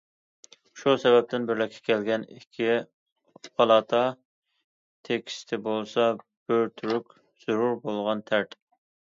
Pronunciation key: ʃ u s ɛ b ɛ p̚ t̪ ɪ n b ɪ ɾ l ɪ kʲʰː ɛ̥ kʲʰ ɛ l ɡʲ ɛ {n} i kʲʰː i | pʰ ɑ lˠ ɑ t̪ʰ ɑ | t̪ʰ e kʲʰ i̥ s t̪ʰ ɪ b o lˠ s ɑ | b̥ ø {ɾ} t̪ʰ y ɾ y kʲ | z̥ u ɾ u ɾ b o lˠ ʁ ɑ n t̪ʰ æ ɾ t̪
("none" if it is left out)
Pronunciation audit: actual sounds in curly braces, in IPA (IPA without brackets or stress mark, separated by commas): n, ɾ